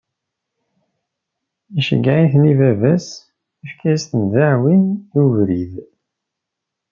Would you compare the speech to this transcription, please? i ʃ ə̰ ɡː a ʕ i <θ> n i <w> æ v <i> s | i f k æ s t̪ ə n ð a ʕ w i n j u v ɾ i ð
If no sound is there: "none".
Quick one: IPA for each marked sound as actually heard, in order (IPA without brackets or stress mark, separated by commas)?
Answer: θ, v, æ